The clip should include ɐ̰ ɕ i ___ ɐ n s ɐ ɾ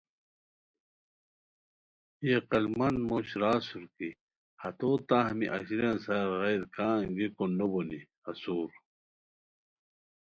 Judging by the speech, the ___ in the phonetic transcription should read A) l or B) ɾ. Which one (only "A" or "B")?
B